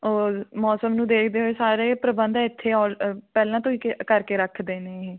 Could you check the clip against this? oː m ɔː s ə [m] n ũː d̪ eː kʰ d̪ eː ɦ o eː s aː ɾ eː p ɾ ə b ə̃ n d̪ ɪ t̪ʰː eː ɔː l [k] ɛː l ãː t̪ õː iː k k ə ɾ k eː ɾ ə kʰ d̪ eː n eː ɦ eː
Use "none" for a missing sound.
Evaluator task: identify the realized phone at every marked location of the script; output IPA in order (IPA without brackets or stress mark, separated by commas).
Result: m, p